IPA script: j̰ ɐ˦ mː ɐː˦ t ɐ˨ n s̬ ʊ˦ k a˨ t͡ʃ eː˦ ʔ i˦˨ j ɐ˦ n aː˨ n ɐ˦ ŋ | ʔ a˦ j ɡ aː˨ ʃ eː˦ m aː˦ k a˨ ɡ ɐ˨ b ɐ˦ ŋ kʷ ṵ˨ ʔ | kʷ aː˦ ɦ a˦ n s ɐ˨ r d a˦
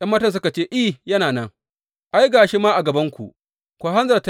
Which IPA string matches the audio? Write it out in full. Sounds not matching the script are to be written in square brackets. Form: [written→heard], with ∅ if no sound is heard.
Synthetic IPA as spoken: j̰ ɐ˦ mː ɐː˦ t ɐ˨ n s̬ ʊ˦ k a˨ t͡ʃ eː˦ ʔ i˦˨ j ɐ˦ n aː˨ n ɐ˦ ŋ | ʔ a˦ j ɡ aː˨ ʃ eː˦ m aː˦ [k→ʔ] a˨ ɡ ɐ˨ b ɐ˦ ŋ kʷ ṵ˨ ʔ | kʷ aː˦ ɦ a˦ n [s→z] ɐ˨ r [d→t] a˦